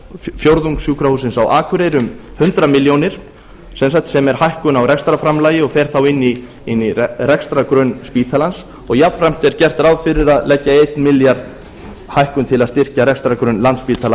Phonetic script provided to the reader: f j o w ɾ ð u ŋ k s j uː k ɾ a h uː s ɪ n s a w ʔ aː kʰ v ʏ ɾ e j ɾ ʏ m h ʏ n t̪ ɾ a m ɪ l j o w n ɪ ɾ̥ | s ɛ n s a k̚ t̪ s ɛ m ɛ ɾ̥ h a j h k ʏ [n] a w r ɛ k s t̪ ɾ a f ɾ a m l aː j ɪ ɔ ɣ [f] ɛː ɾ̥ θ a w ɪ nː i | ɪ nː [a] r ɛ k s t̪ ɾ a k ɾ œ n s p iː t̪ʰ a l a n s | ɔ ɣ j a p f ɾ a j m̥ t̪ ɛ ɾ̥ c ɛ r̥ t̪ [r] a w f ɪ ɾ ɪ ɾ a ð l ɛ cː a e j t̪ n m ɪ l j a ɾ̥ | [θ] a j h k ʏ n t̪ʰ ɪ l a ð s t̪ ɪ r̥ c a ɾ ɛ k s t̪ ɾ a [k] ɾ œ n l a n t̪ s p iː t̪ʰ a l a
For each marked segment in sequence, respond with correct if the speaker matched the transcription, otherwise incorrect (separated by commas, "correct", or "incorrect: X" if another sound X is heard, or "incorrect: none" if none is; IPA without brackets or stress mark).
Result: correct, correct, incorrect: i, incorrect: ɾ, incorrect: h, correct